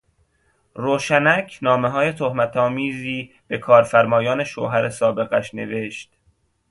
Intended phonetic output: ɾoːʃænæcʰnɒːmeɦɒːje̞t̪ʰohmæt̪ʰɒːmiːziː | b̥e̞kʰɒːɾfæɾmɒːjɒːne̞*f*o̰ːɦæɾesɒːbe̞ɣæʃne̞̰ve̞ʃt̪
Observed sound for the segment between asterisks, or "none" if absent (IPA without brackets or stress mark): ʃ